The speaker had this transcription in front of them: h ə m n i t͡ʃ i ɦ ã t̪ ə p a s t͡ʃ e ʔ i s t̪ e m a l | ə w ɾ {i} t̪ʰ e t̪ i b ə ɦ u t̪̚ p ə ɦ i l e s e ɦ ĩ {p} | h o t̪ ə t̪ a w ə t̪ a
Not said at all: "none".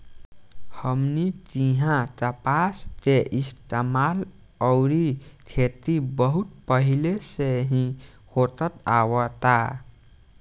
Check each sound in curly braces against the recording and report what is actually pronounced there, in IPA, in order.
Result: i, none

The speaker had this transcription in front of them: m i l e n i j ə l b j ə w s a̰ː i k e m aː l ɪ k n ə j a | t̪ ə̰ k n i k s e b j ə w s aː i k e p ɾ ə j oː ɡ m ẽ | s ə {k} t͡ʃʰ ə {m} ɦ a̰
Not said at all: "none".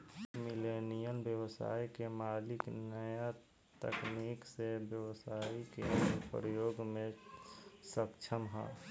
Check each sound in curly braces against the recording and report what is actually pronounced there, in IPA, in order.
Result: k, m

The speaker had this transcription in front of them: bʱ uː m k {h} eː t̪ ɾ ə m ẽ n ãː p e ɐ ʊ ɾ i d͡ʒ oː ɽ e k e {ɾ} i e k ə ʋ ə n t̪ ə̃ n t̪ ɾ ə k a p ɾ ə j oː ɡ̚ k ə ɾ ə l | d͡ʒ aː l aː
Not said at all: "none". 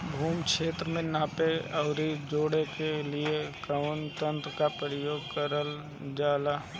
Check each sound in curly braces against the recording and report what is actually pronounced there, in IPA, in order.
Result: ʃ, l

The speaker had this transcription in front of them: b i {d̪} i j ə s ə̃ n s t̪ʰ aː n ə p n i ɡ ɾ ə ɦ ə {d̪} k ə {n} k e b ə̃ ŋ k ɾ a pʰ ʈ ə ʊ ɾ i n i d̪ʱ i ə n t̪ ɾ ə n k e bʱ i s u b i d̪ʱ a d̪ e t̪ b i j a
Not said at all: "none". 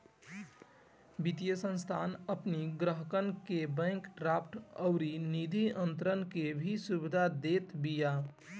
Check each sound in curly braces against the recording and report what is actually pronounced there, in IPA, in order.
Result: t̪, none, n

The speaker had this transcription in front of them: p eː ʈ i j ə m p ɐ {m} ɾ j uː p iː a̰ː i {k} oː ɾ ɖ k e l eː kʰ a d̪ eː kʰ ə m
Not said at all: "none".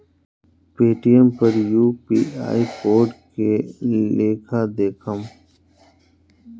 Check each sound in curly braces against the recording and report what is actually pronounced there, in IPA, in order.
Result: none, p

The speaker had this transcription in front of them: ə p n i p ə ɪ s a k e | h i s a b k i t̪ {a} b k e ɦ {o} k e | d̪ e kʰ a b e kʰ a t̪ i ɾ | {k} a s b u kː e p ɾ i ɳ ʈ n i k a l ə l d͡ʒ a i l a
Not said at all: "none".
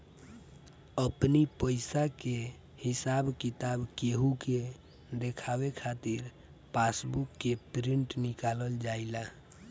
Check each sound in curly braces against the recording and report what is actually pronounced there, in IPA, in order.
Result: a, u, p

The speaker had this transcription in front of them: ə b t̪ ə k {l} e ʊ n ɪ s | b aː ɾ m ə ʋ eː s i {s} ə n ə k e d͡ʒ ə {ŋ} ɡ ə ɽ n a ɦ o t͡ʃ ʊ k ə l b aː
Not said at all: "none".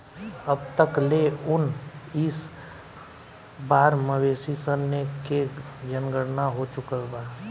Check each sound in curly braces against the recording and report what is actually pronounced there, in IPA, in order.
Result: l, s, n

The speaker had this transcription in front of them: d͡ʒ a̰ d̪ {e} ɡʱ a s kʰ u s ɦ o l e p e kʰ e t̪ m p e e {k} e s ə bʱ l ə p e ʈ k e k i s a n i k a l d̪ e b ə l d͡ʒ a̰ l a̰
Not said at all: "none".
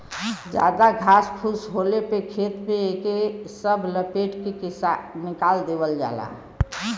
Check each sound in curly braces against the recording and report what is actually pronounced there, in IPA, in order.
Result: a, k

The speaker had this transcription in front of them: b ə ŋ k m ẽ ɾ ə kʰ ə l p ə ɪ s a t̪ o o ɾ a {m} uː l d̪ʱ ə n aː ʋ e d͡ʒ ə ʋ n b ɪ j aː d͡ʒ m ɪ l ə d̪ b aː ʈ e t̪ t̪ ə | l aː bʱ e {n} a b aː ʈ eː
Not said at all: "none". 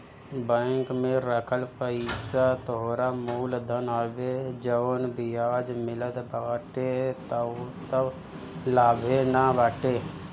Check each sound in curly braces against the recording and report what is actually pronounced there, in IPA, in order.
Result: m, n

